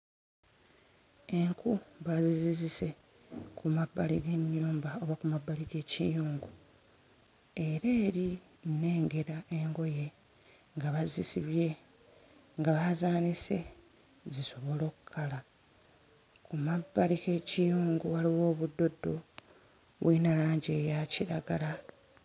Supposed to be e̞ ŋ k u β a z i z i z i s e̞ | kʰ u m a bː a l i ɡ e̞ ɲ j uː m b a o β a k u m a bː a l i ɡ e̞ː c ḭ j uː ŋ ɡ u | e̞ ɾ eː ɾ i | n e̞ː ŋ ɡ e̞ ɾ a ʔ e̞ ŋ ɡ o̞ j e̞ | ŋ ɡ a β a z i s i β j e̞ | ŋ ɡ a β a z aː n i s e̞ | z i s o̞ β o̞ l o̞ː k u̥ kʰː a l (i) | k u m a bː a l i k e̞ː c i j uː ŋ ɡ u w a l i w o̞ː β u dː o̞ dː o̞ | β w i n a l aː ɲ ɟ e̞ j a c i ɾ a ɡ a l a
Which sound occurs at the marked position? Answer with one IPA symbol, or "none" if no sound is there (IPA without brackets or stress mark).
a